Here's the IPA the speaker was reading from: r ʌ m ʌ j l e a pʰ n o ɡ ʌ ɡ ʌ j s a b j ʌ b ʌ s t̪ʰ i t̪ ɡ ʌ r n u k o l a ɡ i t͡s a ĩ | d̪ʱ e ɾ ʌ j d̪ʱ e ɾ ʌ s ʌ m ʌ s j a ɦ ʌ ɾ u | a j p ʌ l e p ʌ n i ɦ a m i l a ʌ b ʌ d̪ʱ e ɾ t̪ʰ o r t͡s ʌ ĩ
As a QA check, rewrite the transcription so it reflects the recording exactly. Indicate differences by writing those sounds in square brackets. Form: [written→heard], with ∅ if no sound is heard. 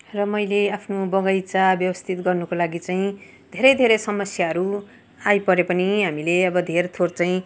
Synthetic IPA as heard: r ʌ m ʌ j l e a pʰ n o [ɡ→b] ʌ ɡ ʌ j [s→t͡s] a b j ʌ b ʌ s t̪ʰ i t̪ ɡ ʌ r n u k o l a ɡ i t͡s a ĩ | d̪ʱ e ɾ ʌ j d̪ʱ e ɾ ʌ s ʌ m ʌ s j a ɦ ʌ ɾ u | a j p ʌ [l→ɾ] e p ʌ n i ɦ a m i l [a→e] ʌ b ʌ d̪ʱ e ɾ t̪ʰ o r t͡s [ʌ→a] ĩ